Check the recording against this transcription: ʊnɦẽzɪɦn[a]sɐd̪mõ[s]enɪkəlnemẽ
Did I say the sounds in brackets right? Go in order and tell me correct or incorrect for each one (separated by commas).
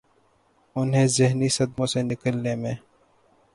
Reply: incorrect, correct